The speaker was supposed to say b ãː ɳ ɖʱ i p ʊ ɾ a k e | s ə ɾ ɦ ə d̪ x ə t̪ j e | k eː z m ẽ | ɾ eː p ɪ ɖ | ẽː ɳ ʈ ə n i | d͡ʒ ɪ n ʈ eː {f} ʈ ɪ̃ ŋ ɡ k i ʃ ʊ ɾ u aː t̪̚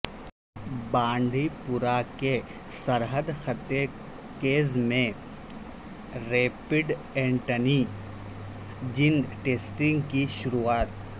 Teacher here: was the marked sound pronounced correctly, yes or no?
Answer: no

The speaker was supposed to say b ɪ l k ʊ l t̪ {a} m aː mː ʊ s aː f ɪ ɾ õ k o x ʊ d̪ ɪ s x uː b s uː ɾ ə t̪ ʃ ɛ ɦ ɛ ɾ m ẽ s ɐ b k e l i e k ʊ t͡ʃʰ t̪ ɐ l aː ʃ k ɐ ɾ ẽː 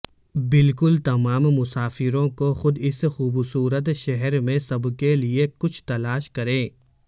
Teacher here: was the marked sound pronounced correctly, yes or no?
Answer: no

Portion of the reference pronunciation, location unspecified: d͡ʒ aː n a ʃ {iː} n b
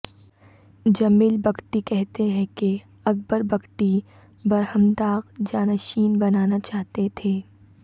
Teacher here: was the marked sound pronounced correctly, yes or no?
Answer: yes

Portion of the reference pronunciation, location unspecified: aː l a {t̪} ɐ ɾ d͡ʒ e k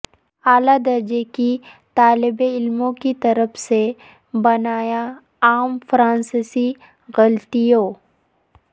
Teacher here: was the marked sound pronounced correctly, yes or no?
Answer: no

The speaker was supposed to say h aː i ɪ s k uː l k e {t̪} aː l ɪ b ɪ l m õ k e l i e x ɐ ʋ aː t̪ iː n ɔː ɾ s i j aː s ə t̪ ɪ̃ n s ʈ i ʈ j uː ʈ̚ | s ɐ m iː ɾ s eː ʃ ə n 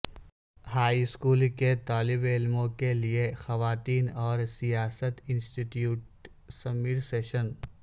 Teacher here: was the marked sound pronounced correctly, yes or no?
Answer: yes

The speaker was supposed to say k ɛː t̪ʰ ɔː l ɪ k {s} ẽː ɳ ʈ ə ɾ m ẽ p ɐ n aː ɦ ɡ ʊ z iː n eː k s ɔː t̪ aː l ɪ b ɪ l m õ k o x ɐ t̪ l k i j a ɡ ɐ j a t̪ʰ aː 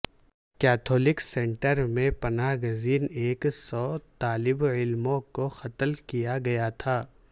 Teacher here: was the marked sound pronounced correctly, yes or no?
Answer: yes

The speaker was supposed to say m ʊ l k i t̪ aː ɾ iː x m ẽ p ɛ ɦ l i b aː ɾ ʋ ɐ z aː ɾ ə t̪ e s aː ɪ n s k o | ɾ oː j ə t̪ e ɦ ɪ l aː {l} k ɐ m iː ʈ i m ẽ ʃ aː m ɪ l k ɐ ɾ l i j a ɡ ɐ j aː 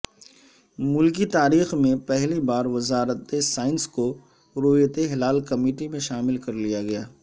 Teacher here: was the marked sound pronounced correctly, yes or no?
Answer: yes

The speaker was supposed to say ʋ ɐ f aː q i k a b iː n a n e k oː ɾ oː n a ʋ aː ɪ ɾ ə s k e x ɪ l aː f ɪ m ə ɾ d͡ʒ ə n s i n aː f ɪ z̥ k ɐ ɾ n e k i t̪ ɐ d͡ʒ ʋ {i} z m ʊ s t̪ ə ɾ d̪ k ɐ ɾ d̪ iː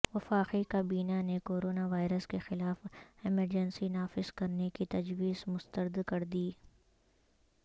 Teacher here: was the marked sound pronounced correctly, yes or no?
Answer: no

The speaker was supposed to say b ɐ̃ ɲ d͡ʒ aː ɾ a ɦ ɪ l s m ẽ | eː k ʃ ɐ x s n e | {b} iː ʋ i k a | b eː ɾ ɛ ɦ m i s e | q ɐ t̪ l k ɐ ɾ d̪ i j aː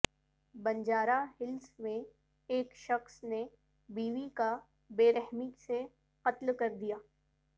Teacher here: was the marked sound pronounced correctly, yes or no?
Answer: yes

